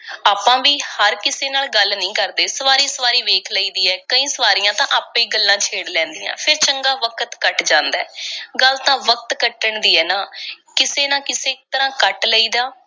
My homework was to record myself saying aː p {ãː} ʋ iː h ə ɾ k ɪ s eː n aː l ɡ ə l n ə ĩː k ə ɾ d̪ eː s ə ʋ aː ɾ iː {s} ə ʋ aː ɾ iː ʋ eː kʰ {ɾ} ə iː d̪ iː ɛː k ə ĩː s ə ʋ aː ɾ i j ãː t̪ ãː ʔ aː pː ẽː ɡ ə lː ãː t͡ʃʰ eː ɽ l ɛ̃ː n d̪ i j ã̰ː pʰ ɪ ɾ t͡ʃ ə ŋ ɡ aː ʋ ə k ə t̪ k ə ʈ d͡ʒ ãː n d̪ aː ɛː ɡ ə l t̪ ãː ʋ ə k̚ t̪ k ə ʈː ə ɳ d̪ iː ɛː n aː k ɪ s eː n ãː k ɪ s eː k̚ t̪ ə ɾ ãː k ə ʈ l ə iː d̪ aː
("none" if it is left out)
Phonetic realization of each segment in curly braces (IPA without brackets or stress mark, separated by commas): ãː, s, l